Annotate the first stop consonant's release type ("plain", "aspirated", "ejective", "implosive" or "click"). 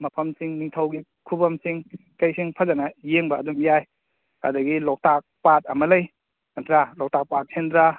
aspirated